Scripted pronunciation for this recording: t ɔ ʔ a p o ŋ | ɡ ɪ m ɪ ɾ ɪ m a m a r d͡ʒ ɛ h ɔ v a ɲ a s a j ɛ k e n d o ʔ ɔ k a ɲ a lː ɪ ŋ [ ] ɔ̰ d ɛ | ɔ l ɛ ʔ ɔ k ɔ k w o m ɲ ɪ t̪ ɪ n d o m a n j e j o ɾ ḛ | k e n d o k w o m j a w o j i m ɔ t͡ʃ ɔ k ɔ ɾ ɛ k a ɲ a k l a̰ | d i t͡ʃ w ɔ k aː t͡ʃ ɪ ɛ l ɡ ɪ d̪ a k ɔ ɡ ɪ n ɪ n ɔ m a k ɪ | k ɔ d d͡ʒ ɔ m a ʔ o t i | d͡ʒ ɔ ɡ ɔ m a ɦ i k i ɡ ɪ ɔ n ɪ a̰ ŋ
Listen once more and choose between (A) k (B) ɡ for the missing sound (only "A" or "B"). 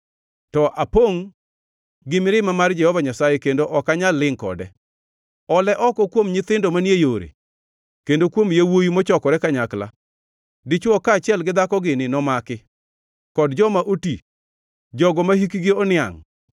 A